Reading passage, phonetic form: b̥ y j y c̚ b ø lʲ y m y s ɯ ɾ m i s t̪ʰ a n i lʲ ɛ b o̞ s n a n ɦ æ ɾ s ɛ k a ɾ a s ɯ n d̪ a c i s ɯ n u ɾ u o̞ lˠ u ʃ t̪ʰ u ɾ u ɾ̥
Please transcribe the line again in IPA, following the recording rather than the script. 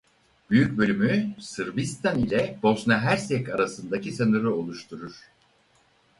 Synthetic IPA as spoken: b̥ y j y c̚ b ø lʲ y m y s ɯ ɾ b i s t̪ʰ a n i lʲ ɛ b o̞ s n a ɦ æ ɾ s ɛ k a ɾ a s ɯ n d̪ a c i s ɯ n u ɾ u o̞ lˠ u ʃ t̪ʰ u ɾ u ɾ̥